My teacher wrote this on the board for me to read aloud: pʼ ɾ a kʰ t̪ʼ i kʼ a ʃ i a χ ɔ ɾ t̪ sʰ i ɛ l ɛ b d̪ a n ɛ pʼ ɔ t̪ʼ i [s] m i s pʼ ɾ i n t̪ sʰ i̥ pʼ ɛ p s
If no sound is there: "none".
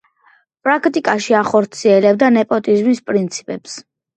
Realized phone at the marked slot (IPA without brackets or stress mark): z